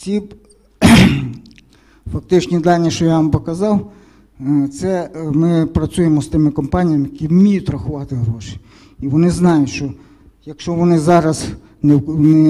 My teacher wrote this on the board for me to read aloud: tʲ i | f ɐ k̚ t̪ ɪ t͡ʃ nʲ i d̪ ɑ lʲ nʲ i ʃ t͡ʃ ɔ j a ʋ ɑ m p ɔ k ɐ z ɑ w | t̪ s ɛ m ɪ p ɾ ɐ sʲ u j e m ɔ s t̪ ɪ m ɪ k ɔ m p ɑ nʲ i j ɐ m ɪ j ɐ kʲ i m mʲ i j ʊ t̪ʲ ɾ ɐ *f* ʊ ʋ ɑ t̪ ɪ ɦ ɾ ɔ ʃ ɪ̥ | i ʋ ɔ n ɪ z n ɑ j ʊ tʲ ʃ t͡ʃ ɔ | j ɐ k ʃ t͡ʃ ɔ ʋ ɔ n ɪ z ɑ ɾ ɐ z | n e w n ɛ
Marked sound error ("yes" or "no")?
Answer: yes